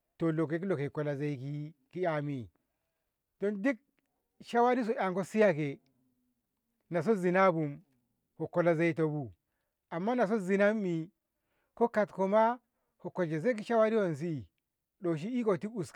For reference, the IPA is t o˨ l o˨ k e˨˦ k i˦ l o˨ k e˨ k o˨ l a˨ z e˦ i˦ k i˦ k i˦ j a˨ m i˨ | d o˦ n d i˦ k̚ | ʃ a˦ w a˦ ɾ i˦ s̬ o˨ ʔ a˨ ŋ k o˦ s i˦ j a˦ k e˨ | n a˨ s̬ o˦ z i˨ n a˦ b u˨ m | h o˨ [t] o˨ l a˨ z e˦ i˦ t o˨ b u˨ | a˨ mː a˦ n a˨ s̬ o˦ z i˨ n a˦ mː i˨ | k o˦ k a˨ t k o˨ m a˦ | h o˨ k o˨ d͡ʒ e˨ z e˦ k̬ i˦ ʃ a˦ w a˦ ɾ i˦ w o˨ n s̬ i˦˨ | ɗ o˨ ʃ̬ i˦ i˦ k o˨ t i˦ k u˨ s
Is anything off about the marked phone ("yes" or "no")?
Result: yes